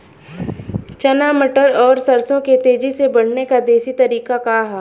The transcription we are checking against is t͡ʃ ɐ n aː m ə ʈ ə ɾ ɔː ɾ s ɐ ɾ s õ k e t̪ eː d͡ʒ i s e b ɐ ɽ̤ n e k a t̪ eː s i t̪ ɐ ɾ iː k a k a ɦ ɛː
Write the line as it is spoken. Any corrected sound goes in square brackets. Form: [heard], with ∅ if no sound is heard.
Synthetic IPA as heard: t͡ʃ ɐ n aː m ə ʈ ə ɾ ɔː ɾ s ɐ ɾ s õ k e t̪ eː d͡ʒ i s e b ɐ ɽ̤ n e k a [d̪] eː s i t̪ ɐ ɾ iː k a k a ɦ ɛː